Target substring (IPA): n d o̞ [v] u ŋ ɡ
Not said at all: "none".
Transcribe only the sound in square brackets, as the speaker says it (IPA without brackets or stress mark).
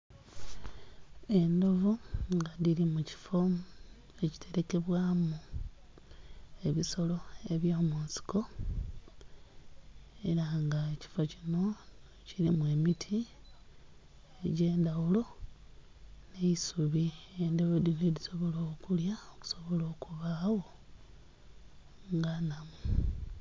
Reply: v